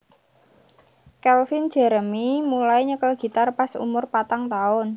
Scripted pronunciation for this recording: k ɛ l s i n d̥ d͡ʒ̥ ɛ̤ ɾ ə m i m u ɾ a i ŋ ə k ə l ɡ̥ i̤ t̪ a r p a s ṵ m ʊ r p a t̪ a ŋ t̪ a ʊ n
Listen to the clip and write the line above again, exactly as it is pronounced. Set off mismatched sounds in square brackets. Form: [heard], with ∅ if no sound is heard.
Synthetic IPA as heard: k ɛ l [f] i n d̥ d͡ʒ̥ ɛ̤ ɾ ə m i m u [l] a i [ɲ] ə k ə l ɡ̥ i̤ t̪ a r p a s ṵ m ʊ r p a t̪ a ŋ t̪ a ʊ n